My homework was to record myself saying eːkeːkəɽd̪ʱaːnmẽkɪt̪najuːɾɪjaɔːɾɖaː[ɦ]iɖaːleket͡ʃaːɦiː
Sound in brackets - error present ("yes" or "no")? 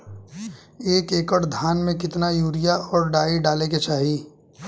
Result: yes